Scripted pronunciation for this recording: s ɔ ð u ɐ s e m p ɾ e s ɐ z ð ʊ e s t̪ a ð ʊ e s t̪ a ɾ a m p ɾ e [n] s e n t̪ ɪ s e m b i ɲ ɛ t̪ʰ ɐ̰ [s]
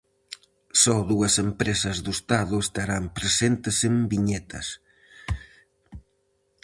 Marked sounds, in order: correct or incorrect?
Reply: incorrect, correct

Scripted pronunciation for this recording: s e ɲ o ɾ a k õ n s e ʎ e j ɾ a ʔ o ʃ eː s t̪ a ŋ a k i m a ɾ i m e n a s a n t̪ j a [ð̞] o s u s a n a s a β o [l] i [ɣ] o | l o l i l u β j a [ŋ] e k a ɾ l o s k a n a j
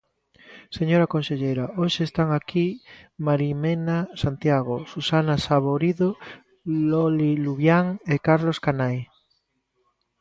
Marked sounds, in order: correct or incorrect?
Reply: incorrect, incorrect, incorrect, correct

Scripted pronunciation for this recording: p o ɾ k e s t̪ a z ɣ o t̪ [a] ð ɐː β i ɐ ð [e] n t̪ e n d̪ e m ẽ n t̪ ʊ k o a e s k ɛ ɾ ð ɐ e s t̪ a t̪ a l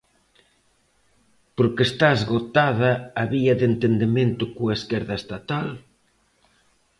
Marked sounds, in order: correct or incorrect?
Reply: correct, correct

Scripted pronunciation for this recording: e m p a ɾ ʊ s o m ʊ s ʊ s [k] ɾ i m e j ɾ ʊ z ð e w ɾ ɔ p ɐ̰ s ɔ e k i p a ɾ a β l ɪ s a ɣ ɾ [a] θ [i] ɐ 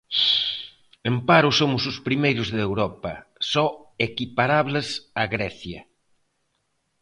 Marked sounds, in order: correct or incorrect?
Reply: incorrect, incorrect, incorrect

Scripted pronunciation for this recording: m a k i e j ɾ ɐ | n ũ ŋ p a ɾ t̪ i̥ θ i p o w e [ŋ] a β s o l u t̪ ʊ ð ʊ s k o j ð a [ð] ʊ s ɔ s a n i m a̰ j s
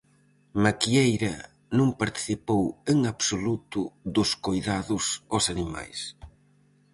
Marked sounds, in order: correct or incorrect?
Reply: correct, correct

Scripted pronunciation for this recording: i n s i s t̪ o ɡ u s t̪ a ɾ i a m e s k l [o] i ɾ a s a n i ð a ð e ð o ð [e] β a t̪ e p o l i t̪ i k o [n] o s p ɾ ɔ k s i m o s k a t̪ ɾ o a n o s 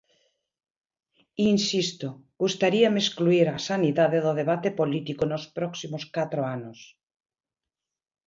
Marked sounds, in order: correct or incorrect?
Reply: incorrect, correct, correct

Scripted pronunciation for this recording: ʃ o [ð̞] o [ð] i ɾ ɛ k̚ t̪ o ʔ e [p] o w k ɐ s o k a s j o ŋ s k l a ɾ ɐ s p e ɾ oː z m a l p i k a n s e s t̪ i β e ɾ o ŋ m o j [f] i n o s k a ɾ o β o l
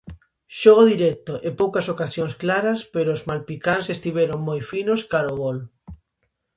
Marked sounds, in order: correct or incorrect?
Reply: incorrect, correct, correct, correct

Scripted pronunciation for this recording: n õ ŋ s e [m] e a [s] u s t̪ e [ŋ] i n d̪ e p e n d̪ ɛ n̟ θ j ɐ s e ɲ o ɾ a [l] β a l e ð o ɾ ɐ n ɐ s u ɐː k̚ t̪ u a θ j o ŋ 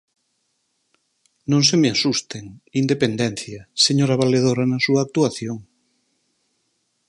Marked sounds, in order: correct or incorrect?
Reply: correct, correct, correct, incorrect

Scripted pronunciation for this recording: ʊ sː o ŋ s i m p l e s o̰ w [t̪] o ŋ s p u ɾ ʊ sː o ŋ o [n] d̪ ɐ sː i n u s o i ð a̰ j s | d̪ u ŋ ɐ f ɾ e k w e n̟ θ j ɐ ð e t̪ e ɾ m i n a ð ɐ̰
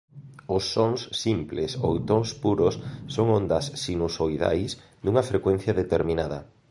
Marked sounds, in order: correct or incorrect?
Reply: correct, correct

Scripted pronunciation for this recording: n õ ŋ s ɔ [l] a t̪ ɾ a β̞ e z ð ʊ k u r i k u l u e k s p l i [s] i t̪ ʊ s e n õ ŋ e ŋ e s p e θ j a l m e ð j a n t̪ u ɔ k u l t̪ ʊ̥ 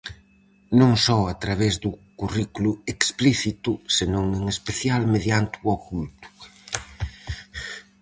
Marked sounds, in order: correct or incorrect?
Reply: incorrect, incorrect

